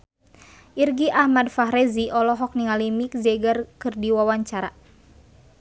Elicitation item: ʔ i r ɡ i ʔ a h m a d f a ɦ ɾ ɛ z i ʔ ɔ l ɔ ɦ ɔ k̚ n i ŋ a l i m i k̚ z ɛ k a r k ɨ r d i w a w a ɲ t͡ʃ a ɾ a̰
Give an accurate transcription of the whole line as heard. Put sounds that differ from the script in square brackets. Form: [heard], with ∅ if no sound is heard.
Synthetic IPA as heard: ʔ i r ɡ i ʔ a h m a d f a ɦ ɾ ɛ z i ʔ ɔ l ɔ ɦ ɔ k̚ n i ŋ a l i m i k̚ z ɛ [ɡ] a r k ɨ r d i w a w a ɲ t͡ʃ a ɾ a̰